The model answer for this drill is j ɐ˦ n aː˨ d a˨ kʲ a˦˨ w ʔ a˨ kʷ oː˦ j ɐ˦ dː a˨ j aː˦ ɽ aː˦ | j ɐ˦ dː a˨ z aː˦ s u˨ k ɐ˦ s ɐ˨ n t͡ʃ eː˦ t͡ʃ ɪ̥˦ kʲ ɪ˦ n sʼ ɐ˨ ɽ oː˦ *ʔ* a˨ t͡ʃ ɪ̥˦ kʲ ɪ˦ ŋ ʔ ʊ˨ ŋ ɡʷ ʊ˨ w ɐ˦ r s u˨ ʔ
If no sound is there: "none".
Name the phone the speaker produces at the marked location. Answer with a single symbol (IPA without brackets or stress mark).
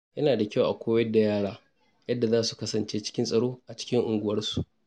ʔ